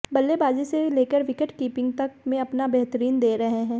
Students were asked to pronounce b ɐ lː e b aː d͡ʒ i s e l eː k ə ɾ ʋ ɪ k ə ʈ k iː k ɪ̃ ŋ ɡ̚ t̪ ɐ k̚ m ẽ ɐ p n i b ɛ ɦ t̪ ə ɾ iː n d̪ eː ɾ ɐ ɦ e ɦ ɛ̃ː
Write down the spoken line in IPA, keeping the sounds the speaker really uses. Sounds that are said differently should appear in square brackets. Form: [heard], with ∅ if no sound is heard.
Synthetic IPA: b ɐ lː e b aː d͡ʒ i s e l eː k ə ɾ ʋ ɪ k ə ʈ k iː [p] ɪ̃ ŋ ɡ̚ t̪ ɐ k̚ m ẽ ɐ p n [a] b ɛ ɦ t̪ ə ɾ iː n d̪ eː ɾ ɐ ɦ e ɦ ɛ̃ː